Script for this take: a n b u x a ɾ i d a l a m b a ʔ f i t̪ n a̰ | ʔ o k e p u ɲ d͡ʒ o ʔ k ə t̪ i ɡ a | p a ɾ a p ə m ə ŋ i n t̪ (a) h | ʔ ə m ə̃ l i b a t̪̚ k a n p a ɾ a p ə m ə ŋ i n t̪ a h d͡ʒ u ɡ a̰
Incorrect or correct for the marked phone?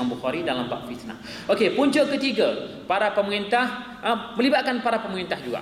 correct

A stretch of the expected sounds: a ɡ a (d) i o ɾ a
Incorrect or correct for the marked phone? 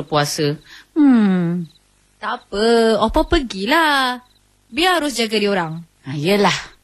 correct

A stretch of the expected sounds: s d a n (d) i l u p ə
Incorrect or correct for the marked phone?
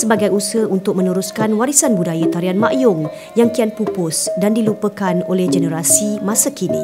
correct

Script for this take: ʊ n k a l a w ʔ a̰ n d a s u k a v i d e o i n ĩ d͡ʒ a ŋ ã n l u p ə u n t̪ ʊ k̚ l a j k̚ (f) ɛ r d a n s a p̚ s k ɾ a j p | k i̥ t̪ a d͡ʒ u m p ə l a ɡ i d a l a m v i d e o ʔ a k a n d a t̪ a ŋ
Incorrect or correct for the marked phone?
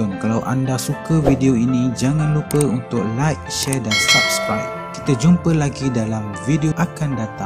incorrect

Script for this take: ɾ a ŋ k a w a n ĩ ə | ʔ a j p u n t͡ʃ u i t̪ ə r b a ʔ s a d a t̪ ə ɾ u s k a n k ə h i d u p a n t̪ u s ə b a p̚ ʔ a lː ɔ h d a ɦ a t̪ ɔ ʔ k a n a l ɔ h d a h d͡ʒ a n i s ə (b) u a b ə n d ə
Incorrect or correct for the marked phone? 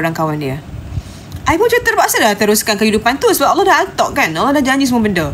incorrect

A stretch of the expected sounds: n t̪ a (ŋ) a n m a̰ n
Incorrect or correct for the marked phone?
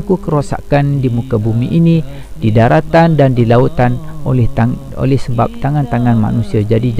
correct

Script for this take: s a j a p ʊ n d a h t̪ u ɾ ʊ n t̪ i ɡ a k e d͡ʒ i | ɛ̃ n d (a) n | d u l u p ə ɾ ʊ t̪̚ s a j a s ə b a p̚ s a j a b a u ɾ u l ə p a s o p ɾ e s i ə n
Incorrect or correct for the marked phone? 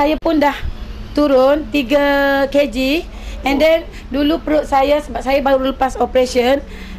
incorrect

